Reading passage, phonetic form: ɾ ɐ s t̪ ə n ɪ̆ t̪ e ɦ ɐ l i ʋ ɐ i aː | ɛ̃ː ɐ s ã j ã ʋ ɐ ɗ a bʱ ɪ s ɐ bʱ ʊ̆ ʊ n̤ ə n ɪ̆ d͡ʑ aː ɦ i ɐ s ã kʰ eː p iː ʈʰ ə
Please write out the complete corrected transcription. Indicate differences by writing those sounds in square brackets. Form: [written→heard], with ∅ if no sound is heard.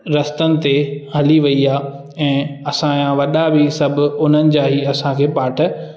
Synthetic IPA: ɾ ɐ s t̪ ə n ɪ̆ t̪ e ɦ ɐ l i ʋ ɐ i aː | ɛ̃ː ɐ s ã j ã ʋ ɐ ɗ a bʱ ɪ s ɐ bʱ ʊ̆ ʊ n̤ ə n ɪ̆ d͡ʑ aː ɦ i ɐ s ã kʰ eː p [iː→aː] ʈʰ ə